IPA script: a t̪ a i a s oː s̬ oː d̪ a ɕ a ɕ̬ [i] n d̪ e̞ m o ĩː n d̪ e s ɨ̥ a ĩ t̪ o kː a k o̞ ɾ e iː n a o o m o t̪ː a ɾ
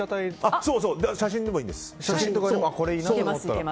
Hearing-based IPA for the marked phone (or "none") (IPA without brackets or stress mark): ĩ